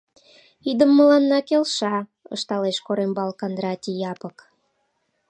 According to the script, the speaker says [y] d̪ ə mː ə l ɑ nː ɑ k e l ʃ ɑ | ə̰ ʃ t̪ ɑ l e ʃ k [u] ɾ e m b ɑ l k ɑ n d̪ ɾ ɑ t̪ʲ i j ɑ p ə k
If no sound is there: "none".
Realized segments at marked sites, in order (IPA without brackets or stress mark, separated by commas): i, o